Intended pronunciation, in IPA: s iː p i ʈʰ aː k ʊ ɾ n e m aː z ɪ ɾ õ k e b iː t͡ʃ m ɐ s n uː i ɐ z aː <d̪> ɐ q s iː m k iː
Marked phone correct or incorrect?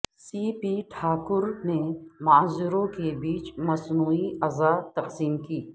incorrect